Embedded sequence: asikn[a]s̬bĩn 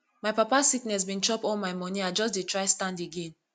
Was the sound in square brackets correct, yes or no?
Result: no